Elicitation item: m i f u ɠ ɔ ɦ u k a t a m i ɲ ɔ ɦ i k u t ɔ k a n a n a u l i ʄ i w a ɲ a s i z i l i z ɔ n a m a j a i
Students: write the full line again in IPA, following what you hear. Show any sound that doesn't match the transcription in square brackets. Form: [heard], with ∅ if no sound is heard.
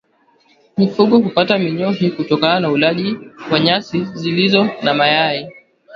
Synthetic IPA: m i f u ɠ ɔ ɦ u [p] a t a m i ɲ ɔ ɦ i k u t ɔ k a n a n a u l [a] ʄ i w a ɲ a s i z i l i z ɔ n a m a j a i